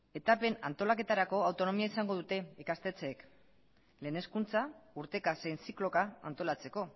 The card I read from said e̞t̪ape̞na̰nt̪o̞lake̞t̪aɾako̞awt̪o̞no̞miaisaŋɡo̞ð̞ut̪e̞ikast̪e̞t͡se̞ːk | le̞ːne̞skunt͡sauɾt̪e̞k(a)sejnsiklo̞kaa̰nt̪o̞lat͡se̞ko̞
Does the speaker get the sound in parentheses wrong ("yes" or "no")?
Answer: no